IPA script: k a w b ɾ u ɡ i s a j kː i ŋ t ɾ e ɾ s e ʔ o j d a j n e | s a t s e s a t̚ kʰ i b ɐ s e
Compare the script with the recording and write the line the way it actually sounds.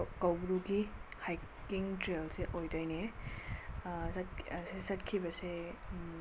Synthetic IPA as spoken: k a w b ɾ u ɡ i h a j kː i ŋ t ɾ e l s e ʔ o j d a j n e | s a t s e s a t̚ kʰ i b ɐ s e